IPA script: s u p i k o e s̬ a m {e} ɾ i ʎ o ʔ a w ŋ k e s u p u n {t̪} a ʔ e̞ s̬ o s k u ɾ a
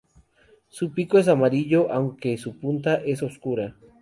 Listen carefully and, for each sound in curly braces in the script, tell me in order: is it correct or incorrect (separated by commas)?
incorrect, correct